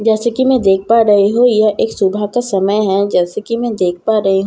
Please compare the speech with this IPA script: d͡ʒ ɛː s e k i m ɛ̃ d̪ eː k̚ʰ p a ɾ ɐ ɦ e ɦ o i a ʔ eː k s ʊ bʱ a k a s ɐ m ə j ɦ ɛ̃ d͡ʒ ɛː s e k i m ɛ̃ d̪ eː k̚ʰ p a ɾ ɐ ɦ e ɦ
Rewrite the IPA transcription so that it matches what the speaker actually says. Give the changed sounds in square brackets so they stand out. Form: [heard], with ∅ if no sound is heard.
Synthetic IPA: d͡ʒ ɛː s e k i m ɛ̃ d̪ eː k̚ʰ p a ɾ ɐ ɦ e ɦ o [j] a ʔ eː k s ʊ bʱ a k a s ɐ m ə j ɦ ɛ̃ d͡ʒ ɛː s e k i m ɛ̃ d̪ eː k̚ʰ p a ɾ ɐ ɦ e ɦ